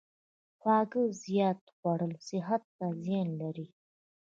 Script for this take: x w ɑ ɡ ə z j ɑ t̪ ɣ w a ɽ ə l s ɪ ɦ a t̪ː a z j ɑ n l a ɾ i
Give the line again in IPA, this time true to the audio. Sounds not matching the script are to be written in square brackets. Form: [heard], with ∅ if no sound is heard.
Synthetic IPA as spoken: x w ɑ ɡ ə z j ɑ t̪ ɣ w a ɽ ə l s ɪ ɦ a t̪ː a z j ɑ n l a ɾ i